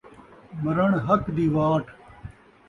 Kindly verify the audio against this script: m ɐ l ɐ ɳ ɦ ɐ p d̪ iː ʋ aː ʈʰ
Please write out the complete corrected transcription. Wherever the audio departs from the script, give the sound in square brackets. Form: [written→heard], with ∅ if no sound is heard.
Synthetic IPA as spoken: m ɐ [l→ɾ] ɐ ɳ ɦ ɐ [p→k] d̪ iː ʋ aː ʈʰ